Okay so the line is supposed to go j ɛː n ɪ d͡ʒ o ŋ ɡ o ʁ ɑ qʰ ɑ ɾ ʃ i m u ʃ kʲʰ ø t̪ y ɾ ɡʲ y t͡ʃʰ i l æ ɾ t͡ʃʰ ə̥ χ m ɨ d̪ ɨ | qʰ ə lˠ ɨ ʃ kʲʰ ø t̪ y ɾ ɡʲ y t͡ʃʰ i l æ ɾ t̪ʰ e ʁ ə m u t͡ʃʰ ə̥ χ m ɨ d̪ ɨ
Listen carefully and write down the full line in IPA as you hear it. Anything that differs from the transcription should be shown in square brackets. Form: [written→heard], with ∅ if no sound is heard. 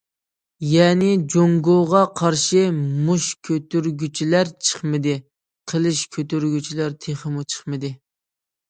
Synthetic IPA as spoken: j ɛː n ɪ d͡ʒ o ŋ ɡ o ʁ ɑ qʰ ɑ ɾ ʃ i m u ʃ kʲʰ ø t̪ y ɾ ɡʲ y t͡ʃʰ i l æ ɾ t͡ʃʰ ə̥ χ m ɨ d̪ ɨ | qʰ ə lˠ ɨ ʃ kʲʰ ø t̪ y ɾ ɡʲ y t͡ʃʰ i l æ ɾ t̪ʰ e [ʁ→χ] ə m u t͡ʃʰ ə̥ χ m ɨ d̪ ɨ